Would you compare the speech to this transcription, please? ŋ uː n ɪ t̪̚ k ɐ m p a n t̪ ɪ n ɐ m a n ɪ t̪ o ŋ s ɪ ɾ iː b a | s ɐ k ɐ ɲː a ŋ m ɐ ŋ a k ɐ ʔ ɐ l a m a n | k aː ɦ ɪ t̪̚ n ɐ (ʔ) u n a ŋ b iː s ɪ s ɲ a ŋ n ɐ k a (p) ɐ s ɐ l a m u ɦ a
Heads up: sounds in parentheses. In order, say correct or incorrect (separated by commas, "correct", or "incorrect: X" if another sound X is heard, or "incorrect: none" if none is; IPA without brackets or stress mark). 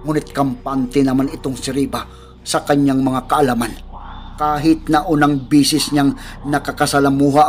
correct, incorrect: k